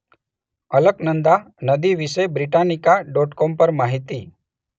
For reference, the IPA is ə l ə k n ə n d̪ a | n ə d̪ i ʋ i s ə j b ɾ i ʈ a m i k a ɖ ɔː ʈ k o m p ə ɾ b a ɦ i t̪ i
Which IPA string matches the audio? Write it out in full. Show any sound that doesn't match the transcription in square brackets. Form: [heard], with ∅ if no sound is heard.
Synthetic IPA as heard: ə l ə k n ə n d̪ a | n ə d̪ i ʋ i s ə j b ɾ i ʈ a [n] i k a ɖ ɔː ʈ k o m p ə ɾ [m] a ɦ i t̪ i